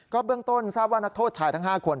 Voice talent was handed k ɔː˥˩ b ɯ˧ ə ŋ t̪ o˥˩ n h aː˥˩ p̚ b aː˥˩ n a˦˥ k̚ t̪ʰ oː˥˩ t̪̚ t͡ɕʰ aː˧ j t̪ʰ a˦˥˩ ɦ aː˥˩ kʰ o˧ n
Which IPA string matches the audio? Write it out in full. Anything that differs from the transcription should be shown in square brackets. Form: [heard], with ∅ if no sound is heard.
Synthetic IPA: k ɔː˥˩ b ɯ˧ ə ŋ t̪ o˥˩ n [s] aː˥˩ p̚ [w] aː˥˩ n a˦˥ k̚ t̪ʰ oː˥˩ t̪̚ t͡ɕʰ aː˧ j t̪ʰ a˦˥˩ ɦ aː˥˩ kʰ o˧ n